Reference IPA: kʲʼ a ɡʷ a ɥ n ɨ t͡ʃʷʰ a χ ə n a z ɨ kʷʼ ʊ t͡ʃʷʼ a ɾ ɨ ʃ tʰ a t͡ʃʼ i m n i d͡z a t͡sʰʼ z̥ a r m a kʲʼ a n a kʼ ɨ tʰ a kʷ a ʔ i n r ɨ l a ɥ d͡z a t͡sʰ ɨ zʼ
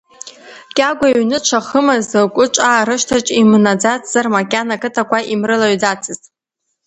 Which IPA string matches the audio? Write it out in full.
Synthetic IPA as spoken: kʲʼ a ɡʷ a ɥ n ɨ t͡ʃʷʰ a χ ə m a z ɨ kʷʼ ʊ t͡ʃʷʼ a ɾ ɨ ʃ tʰ a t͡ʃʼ i m n a d͡z a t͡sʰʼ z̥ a r m a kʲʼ a n a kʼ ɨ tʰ a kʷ a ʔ i m r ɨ l a ɥ d͡z a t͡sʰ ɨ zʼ